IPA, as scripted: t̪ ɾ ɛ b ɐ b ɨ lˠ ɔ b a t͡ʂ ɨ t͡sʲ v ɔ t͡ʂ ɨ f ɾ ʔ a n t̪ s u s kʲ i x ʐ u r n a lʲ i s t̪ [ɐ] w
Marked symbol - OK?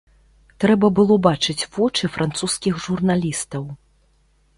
yes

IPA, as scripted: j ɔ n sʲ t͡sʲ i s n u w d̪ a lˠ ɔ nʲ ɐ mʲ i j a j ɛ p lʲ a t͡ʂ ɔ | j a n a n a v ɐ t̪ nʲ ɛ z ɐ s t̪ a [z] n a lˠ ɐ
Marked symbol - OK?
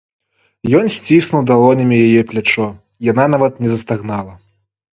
no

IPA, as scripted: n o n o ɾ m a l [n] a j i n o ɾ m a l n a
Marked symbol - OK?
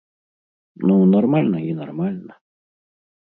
yes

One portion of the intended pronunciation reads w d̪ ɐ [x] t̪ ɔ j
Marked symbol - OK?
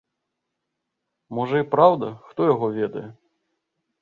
yes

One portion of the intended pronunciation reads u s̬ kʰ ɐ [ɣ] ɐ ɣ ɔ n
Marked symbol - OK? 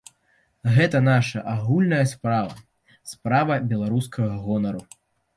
yes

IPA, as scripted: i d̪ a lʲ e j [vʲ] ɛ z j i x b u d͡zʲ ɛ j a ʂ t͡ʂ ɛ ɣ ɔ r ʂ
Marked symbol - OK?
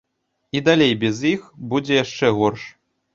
no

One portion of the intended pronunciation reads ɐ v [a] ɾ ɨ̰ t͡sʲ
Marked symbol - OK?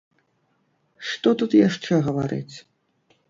yes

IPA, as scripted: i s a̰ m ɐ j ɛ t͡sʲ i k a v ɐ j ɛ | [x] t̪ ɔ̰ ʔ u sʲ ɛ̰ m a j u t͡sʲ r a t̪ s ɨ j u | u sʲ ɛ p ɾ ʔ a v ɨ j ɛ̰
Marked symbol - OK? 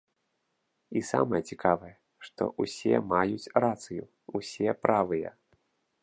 no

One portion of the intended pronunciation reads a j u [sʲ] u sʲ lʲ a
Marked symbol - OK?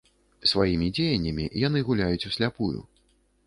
no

